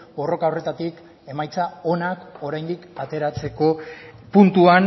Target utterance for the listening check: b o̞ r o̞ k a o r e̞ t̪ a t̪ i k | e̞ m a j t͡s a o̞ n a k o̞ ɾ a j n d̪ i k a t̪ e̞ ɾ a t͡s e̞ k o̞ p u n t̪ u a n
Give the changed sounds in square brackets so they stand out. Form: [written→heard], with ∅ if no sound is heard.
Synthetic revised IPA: b o̞ r o̞ k a o r e̞ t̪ a t̪ i k | e̞ m a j t͡s a o̞ n a k o̞ ɾ a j n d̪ i k a t̪ e̞ ɾ a t͡s e̞ k o̞ p u n t̪ u a n